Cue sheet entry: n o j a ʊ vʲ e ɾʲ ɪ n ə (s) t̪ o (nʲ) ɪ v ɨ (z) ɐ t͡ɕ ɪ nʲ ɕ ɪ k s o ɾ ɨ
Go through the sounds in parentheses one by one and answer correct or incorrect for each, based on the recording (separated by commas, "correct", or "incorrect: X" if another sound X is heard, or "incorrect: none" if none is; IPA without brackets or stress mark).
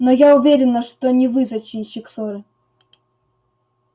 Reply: incorrect: ʂ, correct, correct